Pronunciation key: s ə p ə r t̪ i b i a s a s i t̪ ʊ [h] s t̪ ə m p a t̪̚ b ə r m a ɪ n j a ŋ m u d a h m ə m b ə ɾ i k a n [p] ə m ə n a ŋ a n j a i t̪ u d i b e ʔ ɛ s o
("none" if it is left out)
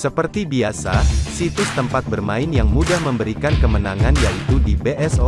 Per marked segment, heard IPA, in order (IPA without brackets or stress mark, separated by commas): none, k